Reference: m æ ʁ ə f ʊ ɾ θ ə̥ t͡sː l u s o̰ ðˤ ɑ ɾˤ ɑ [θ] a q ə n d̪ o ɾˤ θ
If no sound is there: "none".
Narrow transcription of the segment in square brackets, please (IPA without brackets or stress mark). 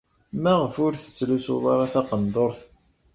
θ